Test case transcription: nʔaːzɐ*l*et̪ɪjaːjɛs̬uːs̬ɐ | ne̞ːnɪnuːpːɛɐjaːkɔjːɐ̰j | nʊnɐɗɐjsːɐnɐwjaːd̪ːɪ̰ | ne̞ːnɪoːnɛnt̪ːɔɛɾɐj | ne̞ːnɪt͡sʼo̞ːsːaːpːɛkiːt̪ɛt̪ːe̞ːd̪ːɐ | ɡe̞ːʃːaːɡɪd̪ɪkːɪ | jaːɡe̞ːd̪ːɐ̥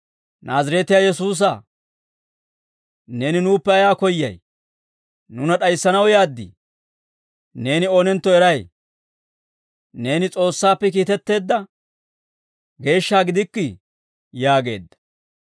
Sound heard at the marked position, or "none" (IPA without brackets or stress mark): ɾ